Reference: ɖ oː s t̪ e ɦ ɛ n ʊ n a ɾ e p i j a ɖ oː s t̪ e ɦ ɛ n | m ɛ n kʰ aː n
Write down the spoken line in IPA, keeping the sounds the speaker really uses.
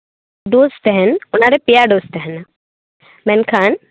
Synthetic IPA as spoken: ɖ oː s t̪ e ɦ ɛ n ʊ n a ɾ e p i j a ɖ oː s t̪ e ɦ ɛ n | m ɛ n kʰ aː n